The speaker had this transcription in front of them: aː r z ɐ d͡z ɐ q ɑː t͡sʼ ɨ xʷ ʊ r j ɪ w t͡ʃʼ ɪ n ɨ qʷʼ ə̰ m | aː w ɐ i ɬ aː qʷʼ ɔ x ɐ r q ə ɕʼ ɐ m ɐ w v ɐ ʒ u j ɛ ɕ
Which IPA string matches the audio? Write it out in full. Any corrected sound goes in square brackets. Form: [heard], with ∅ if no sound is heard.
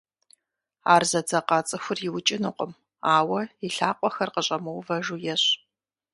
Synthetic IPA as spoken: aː r z ɐ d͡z ɐ q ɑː t͡sʼ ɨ xʷ ʊ r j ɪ w t͡ʃʼ ɪ n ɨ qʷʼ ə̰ m | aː w ɐ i ɬ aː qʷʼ ɔ x ɐ r q ə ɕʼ ɐ m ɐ w v ɐ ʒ u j ɛ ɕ